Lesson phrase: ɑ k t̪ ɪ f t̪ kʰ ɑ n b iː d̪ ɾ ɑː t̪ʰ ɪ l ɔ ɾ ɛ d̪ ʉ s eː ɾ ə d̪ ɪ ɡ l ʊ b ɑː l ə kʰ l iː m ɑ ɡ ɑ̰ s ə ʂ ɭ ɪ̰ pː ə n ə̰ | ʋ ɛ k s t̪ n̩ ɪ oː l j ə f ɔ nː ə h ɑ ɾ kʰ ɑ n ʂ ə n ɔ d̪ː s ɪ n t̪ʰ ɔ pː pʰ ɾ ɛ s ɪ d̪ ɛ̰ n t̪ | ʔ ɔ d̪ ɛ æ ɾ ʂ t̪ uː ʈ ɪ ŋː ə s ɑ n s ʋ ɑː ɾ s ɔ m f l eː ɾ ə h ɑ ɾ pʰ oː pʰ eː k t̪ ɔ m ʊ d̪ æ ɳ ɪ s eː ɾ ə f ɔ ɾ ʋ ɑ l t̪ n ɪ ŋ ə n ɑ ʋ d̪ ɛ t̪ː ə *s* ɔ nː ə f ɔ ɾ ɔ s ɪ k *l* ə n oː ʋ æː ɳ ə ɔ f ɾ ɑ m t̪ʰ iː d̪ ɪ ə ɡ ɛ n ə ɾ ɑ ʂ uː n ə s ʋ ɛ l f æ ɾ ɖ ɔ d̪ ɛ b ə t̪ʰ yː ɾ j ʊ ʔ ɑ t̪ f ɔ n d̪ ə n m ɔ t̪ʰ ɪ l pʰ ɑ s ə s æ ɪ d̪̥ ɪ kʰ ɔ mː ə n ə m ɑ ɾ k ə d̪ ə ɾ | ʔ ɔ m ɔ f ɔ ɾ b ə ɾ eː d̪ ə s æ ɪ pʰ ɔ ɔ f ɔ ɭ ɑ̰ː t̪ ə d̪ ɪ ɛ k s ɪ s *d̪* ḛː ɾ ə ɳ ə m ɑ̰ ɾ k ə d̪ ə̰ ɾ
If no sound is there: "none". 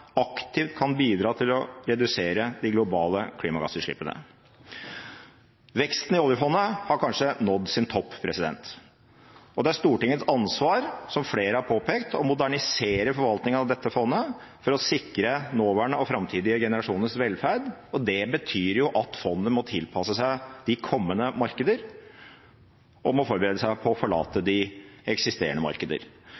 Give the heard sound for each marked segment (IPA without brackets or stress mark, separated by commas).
f, ɾ, t̪